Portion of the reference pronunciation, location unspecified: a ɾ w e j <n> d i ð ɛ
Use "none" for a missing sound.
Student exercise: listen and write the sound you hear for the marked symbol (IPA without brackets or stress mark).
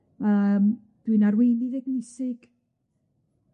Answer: n